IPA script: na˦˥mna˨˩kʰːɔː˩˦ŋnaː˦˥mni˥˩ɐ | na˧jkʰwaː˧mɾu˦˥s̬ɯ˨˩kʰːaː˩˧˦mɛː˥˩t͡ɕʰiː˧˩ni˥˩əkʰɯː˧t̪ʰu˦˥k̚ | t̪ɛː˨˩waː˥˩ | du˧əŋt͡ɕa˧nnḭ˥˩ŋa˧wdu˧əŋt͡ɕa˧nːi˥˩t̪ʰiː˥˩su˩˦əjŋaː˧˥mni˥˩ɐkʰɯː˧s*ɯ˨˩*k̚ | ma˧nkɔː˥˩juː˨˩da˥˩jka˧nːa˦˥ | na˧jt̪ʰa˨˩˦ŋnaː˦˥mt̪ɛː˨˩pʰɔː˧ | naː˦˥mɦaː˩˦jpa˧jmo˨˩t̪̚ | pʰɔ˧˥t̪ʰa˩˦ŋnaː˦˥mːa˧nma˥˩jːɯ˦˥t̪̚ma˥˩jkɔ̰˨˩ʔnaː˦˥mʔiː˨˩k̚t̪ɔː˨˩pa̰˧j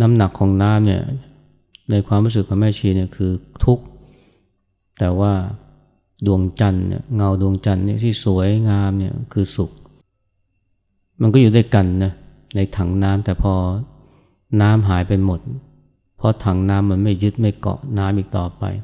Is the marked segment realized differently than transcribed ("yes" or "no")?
yes